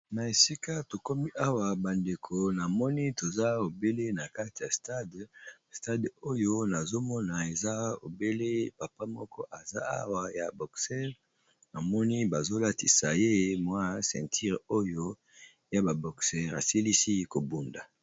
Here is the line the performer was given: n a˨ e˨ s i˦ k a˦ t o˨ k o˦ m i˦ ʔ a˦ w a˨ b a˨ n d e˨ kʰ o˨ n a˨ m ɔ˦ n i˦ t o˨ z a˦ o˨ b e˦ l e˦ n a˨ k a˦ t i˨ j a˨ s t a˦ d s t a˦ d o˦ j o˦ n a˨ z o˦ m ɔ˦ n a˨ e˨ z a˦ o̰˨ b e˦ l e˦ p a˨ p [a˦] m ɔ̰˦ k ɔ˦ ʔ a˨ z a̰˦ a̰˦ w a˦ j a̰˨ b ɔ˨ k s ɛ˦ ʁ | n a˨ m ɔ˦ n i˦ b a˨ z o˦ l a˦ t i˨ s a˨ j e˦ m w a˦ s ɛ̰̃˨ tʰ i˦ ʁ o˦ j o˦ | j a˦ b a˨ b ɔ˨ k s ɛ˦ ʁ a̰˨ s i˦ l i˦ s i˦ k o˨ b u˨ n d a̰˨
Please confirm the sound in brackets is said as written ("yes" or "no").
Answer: yes